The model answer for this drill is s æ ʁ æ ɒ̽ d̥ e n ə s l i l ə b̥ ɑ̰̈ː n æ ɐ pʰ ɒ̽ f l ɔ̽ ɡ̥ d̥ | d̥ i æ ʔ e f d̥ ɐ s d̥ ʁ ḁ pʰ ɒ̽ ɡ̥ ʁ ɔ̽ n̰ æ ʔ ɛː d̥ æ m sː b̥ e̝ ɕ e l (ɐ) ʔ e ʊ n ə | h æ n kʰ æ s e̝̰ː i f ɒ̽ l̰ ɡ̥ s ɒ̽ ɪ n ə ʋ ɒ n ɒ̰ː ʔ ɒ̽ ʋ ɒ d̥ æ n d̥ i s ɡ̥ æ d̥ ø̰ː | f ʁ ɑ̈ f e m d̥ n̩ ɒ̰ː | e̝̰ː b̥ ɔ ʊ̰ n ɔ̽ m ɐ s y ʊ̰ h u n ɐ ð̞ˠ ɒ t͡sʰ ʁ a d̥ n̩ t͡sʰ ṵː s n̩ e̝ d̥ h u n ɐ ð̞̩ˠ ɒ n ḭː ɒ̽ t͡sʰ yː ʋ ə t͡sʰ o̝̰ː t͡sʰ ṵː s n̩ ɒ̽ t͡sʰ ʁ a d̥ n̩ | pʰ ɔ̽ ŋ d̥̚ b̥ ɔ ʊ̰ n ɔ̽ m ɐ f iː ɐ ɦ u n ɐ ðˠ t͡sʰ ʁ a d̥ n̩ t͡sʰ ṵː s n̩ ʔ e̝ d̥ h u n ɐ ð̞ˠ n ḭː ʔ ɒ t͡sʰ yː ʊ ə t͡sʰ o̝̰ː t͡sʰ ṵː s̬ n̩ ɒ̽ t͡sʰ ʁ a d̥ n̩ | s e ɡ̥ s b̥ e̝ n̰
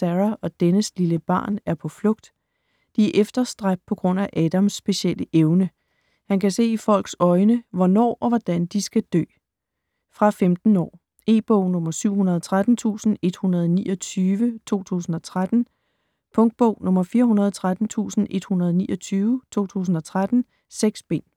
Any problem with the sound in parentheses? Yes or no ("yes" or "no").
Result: yes